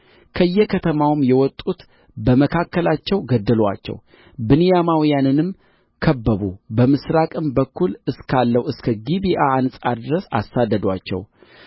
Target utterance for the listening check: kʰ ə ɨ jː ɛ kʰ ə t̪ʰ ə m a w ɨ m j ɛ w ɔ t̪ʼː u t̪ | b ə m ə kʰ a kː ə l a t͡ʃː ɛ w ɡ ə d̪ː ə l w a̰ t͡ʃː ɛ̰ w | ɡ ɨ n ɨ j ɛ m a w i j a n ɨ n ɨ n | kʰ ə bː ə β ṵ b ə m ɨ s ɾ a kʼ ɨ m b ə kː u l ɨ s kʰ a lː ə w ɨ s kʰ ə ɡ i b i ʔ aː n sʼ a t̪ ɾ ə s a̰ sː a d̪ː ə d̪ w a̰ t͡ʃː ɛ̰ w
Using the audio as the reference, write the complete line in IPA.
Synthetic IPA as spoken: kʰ ə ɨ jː ɛ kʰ ə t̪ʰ ə m a w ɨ m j ɛ w ɔ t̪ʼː u t̪ | b ə m ə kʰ a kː ə l a t͡ʃː ɛ w ɡ ə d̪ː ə l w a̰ t͡ʃː ɛ̰ w | b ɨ n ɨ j a m a w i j a n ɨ n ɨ m | kʰ ə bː ə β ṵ b ə m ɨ s ɾ a kʼ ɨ m b ə kː u l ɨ s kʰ a lː ə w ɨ s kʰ ə ɡ i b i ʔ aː n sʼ a d̪ ɾ ə s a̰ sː a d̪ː ə d̪ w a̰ t͡ʃː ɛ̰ w

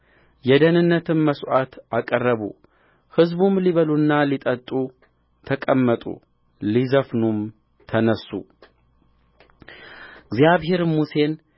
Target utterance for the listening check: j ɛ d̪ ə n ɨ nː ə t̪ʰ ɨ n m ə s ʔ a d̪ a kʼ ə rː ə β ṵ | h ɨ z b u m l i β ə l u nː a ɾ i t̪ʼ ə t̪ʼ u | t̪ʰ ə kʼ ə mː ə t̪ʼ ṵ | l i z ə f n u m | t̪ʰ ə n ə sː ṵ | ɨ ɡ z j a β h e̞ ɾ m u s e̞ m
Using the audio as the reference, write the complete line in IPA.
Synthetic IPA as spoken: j ɛ d̪ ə n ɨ nː ə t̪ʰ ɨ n m ə s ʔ a t̪ a kʼ ə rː ə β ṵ | h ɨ z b u m l i β ə l u nː a l i t̪ʼ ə t̪ʼ u | t̪ʰ ə kʼ ə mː ə t̪ʼ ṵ | l i z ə f n u m | t̪ʰ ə n ə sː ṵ | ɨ ɡ z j a β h e̞ ɾ m u s e̞ n

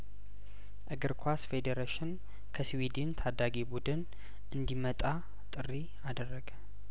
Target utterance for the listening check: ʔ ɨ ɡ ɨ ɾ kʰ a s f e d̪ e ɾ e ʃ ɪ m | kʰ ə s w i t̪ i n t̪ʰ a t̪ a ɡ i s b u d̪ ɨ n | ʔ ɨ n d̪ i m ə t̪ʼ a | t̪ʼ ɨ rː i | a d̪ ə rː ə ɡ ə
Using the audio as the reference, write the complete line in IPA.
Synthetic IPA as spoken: ʔ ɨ ɡ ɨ ɾ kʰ a s f e d̪ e ɾ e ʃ ɪ n | kʰ ə s w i d̪ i n t̪ʰ a d̪ a ɡ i b u d̪ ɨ n | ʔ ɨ n d̪ i m ə t̪ʼ a | t̪ʼ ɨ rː i | a d̪ ə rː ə ɡ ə

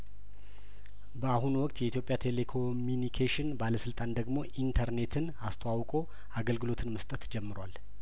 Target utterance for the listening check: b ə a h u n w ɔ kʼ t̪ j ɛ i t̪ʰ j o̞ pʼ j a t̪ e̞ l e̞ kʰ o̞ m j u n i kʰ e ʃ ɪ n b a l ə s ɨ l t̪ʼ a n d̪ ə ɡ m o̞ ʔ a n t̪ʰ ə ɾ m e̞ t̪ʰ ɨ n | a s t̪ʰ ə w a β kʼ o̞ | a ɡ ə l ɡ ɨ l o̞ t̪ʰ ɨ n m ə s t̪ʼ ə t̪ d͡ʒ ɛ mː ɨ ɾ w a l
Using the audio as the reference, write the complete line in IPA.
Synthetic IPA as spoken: b ə a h u n w ɔ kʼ t̪ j ɛ i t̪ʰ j o̞ pʼ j a t̪ʰ e̞ l e̞ kʰ o̞ m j u n i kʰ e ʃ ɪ n b a l ə s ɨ l t̪ʼ a n d̪ ə ɡ m o̞ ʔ i n t̪ʰ ə ɾ n e̞ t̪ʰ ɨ n | a s t̪ʰ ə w a w kʼ o̞ | a ɡ ə l ɡ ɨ l o̞ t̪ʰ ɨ n m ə s t̪ʼ ə t̪ d͡ʒ ɛ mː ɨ ɾ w a l

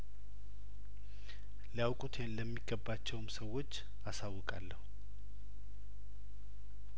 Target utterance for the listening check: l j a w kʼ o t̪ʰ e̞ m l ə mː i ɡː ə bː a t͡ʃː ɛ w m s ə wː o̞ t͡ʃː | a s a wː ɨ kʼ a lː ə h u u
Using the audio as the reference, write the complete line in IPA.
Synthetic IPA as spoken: l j a w kʼ u t̪ʰ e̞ n l ə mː i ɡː ə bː a t͡ʃː ɛ w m s ə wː o̞ t͡ʃː | a s a wː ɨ kʼ a lː ə h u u

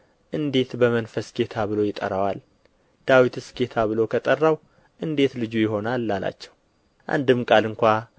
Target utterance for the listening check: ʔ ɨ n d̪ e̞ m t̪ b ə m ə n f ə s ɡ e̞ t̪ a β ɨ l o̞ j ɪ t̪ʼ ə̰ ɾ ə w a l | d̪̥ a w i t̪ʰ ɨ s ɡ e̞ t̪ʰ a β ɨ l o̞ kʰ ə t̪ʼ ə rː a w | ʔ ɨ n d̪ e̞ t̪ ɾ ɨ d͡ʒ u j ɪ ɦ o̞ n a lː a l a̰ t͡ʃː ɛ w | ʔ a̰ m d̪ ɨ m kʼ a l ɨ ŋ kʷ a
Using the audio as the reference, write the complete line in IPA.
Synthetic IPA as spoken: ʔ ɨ n d̪ e̞ t̪ b ə m ə n f ə s ɡ e̞ t̪ʰ a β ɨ l o̞ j ɪ t̪ʼ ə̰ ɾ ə w a l | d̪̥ a w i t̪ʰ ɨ s ɡ e̞ t̪ʰ a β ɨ l o̞ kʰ ə t̪ʼ ə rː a w | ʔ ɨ n d̪ e̞ t̪ l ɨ d͡ʒ u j ɪ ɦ o̞ n a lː a l a̰ t͡ʃː ɛ w | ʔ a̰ n d̪ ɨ m kʼ a l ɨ ŋ kʷ a

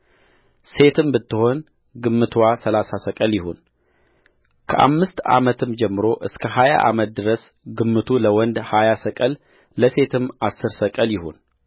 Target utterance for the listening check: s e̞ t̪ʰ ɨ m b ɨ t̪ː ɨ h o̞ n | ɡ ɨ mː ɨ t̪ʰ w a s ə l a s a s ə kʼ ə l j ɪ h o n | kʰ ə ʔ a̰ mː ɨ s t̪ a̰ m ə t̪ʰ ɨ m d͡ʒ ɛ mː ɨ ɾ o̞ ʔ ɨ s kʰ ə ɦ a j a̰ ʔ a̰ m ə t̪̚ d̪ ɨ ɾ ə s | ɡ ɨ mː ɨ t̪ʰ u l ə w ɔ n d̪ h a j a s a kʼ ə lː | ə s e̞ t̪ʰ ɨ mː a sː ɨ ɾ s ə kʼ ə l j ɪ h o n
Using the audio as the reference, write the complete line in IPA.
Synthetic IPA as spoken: s e̞ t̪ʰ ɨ m b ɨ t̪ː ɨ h o̞ n | ɡ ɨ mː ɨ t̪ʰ w a s ə l a s a s ə kʼ ə l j ɪ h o n | kʰ ə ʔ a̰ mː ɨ s t̪ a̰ m ə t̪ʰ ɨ m d͡ʒ ɛ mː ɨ ɾ o̞ ʔ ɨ s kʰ ə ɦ a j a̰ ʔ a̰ m ə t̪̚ d̪ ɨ ɾ ə s | ɡ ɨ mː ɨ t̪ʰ u l ə w ɔ n d̪ h a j a s ə kʼ ə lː | ə s e̞ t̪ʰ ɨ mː a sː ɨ ɾ s ə kʼ ə l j ɪ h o n

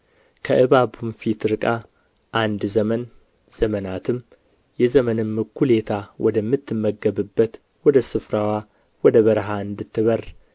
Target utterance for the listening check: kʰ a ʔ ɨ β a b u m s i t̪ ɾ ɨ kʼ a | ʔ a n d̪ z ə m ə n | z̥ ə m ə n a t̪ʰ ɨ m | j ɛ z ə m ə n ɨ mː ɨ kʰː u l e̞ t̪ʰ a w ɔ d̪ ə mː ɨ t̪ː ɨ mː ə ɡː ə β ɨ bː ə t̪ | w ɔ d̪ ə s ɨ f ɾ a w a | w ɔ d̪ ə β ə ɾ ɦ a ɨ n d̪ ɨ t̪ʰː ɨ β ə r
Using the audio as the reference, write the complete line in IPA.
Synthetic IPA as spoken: kʰ ə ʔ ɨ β a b u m f i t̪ ɾ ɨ kʼ a | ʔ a n d̪ z ə m ə n | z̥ ə m ə n a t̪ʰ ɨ m | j ɛ z ə m ə n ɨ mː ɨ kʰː u l e̞ t̪ʰ a w ɔ d̪ ə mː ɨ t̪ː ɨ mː ə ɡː ə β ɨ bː ə t̪ | w ɔ d̪ ə s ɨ f ɾ a w a | w ɔ d̪ ə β ə ɾ ɦ a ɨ n d̪ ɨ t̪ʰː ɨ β ə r

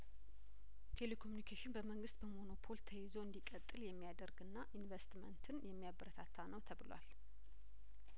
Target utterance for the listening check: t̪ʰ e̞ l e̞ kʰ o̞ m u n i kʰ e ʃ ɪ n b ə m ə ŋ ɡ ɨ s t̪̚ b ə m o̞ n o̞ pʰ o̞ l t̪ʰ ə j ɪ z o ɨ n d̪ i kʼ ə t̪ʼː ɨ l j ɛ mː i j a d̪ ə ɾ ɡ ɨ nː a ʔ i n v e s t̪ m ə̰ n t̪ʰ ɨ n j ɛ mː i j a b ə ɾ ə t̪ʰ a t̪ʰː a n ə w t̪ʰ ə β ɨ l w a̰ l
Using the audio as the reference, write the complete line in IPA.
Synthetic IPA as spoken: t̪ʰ e̞ l e̞ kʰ o̞ m u n i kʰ e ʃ ɪ n b ə m ə ŋ ɡ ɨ s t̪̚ b ə m o̞ n o̞ pʰ o̞ l t̪ʰ ə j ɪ z o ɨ n d̪ i kʼ ə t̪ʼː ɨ l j ɛ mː i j a d̪ ə ɾ ɡ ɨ nː a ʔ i n v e s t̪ m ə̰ n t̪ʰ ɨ n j ɛ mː i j a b ə ɾ ə t̪ʰ a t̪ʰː a n ə w t̪ʰ ə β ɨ l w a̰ l

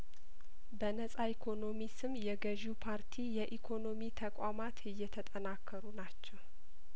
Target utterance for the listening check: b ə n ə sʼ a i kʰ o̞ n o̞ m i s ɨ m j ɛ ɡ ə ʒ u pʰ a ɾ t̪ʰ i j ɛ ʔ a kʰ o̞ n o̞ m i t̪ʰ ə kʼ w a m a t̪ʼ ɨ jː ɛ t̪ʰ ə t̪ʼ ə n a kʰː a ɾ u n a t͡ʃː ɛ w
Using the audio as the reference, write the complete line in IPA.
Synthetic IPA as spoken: b ə n ə sʼ a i kʰ o̞ n o̞ m i s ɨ m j ɛ ɡ ə ʒ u pʰ a ɾ t̪ʰ i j ɛ ʔ i kʰ o̞ n o̞ m i t̪ʰ ə kʼ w a m a t̪ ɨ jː ɛ t̪ʰ ə t̪ʼ ə n a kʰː ə ɾ u n a t͡ʃː ɛ w

